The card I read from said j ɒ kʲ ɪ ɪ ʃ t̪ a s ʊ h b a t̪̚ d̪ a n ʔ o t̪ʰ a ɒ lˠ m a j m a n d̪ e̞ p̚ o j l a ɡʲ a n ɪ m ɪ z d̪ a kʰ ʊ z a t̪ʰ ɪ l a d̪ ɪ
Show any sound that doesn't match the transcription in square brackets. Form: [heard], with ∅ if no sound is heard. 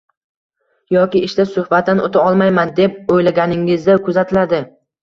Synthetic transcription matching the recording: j ɒ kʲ ɪ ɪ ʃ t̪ a s ʊ h b a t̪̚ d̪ a n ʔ o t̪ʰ a ɒ lˠ m a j m a n d̪ e̞ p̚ o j l a ɡʲ a n ɪ [ŋ] ɪ z d̪ a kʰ ʊ z a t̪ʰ ɪ l a d̪ ɪ